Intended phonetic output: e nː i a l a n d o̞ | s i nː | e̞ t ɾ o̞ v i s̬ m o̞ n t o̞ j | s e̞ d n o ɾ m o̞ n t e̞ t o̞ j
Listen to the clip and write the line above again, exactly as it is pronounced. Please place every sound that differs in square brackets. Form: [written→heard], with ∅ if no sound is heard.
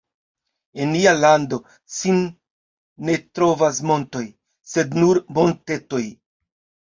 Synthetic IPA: e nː i a l a n d o̞ | s i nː | e̞ t ɾ o̞ v [i→a] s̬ m o̞ n t o̞ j | s e̞ d n [o→u] ɾ m o̞ n t e̞ t o̞ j